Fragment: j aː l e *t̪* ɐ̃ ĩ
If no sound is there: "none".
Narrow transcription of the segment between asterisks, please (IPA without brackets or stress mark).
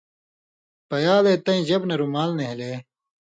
t̪